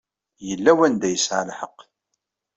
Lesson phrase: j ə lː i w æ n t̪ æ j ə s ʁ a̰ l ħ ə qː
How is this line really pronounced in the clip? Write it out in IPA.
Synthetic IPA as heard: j ə lː æ w æ n d̪ æ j ə s ʕ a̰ l ħ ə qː